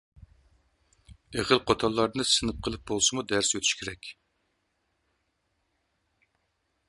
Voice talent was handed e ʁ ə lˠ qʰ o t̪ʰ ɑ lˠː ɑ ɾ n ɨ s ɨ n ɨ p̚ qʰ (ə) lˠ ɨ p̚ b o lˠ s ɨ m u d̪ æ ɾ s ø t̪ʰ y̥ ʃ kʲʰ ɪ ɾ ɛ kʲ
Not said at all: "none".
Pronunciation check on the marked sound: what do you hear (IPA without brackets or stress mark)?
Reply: ə